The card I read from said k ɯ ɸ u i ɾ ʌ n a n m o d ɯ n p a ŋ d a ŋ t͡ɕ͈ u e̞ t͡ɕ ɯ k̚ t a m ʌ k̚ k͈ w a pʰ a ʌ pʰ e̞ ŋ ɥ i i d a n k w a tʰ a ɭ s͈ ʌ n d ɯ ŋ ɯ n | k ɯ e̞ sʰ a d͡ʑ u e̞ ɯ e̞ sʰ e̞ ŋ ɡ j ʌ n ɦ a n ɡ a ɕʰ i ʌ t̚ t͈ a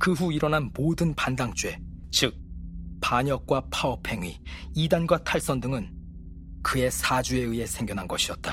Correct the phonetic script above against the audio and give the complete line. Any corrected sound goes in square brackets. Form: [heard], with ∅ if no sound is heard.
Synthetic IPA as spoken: k ɯ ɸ u i ɾ ʌ n a n m o d ɯ n p a [n] d a ŋ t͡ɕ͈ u e̞ t͡ɕ ɯ k̚ [p] a [ɲ] ʌ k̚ k͈ w a pʰ a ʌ pʰ e̞ ŋ ɥ i i d a n [ɡ] w a tʰ a ɭ s͈ ʌ n d ɯ ŋ ɯ n | k ɯ e̞ sʰ a d͡ʑ u e̞ ɯ e̞ sʰ e̞ ŋ ɡ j ʌ n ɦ a n ɡ [ʌ] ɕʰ i ʌ t̚ t͈ a